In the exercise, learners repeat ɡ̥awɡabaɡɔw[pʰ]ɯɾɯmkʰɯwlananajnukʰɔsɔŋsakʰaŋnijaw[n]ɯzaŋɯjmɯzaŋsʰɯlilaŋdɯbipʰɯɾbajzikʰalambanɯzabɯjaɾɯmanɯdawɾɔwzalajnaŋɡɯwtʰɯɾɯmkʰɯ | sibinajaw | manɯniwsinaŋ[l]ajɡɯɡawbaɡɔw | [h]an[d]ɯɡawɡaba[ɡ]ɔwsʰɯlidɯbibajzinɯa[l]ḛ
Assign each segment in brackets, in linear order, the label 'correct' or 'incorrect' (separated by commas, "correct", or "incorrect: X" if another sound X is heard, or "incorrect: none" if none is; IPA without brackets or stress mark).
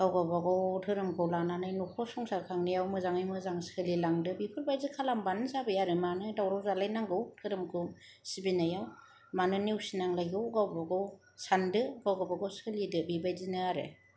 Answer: incorrect: tʰ, incorrect: m, correct, incorrect: s, correct, correct, incorrect: ɾ